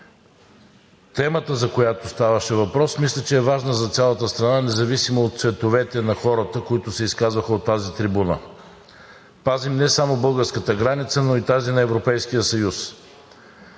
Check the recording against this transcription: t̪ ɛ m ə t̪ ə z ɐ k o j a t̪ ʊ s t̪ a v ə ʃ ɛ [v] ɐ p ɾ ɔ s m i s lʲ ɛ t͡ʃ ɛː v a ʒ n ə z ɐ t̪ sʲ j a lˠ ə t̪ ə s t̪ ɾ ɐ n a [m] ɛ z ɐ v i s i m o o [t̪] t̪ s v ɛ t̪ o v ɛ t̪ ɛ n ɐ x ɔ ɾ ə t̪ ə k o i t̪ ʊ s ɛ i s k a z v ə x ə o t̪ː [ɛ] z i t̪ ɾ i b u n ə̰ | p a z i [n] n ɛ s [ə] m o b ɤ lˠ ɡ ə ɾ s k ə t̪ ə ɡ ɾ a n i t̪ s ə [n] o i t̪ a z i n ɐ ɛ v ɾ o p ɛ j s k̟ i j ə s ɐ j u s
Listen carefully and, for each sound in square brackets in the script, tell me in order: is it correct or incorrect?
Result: correct, incorrect, correct, incorrect, incorrect, incorrect, correct

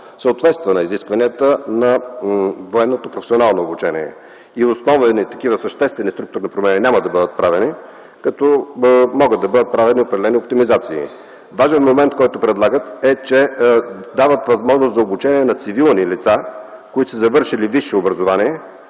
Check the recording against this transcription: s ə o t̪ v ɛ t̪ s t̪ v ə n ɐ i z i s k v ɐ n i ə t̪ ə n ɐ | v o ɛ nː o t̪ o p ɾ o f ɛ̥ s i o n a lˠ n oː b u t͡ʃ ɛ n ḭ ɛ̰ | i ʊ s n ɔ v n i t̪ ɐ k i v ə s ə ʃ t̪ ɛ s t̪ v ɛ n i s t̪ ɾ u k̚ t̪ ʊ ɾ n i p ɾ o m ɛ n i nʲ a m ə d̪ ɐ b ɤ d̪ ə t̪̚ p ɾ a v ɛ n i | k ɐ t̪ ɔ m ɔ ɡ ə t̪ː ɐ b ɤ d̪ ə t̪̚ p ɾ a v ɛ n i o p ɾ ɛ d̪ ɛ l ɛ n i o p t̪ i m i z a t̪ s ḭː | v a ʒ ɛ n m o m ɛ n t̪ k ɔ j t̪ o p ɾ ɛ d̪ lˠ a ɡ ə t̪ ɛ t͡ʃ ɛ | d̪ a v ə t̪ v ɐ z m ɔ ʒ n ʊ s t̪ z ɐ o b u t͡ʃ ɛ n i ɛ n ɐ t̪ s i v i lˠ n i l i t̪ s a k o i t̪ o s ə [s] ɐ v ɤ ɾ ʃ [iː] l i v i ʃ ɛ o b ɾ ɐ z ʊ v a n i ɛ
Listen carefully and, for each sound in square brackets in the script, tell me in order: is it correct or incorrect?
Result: incorrect, incorrect

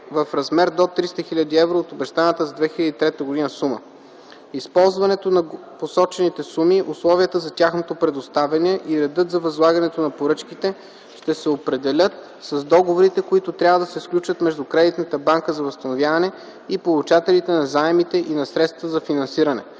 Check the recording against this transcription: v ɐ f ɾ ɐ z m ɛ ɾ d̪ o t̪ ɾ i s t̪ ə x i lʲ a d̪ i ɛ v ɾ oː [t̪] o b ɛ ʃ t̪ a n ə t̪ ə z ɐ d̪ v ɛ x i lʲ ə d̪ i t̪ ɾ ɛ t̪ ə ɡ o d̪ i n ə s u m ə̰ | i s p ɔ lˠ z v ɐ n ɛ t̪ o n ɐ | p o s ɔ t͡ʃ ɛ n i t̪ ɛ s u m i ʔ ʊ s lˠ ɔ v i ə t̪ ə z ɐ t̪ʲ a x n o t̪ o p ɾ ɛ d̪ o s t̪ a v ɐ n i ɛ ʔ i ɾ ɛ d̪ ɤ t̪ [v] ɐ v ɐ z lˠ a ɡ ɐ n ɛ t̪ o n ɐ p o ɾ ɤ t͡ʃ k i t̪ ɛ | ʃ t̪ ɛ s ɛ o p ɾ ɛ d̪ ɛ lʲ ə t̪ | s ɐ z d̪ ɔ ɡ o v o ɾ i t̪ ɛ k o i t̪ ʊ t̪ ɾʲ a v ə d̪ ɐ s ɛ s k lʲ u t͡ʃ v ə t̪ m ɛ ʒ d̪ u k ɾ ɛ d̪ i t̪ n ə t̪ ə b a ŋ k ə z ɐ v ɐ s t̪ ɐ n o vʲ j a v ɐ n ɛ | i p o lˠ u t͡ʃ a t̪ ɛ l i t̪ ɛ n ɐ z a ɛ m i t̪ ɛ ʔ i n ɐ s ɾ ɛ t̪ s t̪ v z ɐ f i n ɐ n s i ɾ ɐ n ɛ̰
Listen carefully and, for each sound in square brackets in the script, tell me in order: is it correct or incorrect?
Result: correct, incorrect

